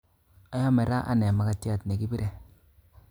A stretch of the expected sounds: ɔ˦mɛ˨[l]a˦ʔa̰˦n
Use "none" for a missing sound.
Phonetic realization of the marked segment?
ɾ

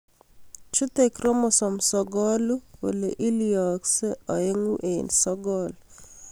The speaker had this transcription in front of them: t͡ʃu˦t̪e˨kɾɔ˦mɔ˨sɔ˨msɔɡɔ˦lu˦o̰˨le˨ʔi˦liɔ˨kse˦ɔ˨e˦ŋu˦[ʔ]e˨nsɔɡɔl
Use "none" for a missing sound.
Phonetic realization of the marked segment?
ʔ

